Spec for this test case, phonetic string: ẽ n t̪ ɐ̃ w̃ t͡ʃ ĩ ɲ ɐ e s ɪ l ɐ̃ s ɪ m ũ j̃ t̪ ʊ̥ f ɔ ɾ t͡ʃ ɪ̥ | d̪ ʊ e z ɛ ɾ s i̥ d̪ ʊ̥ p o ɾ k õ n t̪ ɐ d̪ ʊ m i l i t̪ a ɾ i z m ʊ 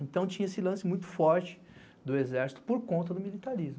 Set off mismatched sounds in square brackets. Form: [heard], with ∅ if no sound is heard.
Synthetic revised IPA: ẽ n t̪ ɐ̃ w̃ t͡ʃ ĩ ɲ ɐ e s ɪ l ɐ̃ s ɪ m ũ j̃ t̪ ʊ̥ f ɔ ɾ t͡ʃ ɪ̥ | d̪ ʊ e z ɛ ɾ s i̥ [t̪] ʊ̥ p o ɾ k õ n t̪ ɐ d̪ ʊ m i l i t̪ a ɾ i z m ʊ